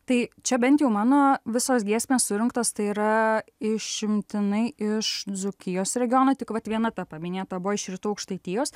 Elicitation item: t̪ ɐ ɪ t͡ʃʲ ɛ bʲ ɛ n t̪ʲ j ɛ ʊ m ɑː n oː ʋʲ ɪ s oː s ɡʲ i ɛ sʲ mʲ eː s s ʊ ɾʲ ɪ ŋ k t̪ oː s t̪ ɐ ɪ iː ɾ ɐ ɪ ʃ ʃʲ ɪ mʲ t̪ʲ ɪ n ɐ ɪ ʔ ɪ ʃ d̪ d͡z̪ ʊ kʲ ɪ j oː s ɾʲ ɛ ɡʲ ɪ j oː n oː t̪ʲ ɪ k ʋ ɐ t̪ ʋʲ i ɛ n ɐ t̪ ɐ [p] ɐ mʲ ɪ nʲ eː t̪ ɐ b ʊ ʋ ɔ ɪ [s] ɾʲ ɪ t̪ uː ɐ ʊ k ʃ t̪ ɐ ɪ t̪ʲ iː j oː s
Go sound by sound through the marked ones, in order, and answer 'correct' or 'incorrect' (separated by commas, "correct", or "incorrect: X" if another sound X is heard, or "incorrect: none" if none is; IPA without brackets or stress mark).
correct, incorrect: ʃ